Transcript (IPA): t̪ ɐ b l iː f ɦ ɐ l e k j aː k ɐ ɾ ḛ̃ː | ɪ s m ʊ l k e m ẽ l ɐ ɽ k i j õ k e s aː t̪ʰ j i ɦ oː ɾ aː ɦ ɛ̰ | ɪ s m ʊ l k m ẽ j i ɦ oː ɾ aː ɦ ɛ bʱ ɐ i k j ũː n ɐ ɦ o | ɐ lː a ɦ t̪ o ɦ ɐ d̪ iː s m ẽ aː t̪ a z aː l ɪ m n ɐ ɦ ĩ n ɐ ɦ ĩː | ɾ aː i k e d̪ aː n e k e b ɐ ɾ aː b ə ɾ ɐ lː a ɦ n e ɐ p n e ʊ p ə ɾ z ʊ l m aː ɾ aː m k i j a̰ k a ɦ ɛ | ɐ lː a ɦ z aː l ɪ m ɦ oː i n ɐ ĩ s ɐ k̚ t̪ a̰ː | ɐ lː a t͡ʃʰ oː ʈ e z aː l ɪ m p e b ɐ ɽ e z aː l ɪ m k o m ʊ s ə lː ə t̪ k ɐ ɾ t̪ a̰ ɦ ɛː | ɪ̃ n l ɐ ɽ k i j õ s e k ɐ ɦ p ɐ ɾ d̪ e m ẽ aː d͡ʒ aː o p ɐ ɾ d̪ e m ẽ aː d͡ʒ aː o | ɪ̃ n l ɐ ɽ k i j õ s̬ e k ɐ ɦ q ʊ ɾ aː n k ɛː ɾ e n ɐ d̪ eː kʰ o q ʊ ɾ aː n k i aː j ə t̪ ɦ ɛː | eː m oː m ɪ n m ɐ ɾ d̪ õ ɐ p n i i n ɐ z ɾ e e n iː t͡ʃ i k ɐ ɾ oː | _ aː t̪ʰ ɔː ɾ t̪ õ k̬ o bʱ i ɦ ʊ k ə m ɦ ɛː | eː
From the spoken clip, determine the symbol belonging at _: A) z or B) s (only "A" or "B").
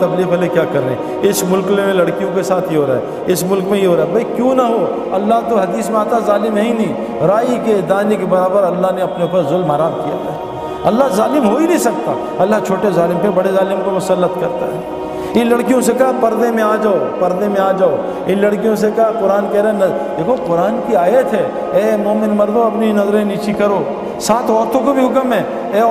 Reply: B